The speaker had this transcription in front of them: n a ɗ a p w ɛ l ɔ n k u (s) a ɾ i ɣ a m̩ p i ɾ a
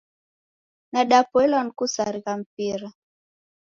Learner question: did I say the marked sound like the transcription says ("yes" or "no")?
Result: yes